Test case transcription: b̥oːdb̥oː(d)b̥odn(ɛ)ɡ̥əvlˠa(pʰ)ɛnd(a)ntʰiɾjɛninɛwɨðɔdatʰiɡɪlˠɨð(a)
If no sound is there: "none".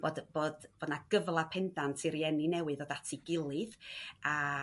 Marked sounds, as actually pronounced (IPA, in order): d, a, pʰ, a, a

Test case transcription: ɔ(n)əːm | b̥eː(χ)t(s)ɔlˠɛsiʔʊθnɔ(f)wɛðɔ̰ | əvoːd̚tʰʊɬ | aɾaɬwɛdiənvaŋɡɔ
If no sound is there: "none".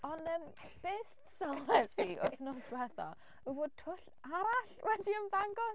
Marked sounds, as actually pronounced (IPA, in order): n, s, s, s

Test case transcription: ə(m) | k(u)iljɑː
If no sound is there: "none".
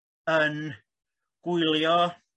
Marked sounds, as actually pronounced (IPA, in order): n, u

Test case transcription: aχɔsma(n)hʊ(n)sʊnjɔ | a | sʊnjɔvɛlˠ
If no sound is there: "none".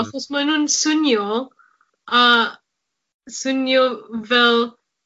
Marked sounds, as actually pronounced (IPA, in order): n, n

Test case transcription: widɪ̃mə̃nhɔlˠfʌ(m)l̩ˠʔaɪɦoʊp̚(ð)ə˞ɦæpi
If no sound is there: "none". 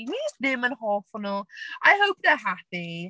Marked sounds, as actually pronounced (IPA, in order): n, ð

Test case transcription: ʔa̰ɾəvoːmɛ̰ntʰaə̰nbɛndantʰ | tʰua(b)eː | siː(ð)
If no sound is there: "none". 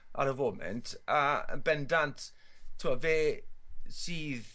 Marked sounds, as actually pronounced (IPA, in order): v, ð

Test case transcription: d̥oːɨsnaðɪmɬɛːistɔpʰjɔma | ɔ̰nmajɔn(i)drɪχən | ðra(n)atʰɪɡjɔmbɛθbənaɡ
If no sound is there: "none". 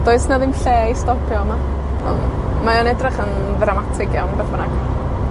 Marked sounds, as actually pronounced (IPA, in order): ɛ, m

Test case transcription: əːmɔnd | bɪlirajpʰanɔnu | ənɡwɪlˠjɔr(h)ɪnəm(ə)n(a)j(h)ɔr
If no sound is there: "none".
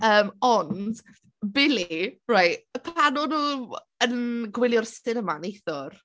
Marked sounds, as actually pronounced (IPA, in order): s, a, e, θ

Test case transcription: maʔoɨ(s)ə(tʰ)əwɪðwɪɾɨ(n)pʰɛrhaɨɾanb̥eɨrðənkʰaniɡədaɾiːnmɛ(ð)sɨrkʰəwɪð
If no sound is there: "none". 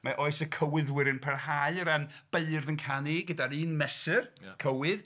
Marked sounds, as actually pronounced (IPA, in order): s, kʰ, n, none

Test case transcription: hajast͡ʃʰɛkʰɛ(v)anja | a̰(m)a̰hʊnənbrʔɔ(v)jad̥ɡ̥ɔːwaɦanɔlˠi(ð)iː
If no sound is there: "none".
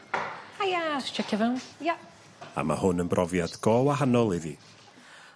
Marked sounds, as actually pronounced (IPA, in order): v, m, v, ð

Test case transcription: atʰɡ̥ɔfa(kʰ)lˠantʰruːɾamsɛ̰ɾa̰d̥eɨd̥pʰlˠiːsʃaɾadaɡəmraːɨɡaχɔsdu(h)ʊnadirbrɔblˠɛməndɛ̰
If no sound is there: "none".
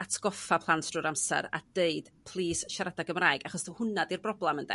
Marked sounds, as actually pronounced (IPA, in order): pʰ, h

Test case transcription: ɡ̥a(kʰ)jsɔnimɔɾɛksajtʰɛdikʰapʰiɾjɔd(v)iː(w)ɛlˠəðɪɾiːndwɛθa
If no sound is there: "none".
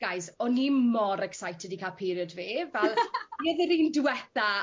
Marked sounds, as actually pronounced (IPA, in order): none, v, v

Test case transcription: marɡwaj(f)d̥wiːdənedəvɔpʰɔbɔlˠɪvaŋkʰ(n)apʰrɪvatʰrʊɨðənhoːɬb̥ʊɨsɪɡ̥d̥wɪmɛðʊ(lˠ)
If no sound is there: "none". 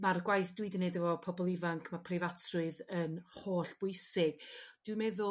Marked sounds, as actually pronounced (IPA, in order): θ, m, none

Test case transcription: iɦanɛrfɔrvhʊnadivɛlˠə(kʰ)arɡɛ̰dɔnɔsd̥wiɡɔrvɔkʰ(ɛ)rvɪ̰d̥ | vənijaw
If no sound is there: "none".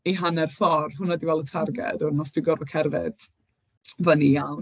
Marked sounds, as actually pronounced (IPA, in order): tʰ, ɛ

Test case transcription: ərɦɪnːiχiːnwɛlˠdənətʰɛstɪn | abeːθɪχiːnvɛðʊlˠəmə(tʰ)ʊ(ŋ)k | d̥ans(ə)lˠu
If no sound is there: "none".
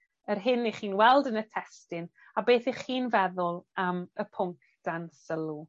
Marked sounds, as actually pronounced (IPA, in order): pʰ, ŋ, ə

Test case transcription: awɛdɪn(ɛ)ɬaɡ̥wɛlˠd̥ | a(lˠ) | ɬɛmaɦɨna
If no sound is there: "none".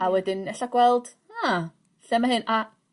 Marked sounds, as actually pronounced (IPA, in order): ɛ, none

